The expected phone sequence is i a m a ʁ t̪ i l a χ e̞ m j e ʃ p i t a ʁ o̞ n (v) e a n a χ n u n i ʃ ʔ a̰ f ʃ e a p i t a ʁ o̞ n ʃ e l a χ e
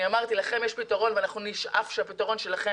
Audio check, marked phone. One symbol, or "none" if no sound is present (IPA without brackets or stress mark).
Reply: v